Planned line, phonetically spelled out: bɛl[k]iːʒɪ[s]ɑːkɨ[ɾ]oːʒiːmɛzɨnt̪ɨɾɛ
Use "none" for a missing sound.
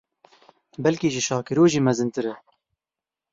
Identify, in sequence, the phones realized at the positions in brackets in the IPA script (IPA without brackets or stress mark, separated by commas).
k, ʃ, ɾ